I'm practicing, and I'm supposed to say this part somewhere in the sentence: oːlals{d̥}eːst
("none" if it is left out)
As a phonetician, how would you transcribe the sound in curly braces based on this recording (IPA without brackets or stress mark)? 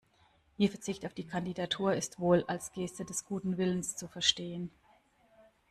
ɡ̥